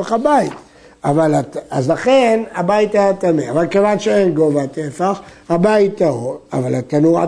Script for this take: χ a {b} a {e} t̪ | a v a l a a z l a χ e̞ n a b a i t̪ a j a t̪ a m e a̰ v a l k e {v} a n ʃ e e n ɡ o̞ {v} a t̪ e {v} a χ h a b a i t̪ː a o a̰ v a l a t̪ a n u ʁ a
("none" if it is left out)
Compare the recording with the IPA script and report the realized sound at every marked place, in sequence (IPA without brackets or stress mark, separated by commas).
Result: b, i, v, v, f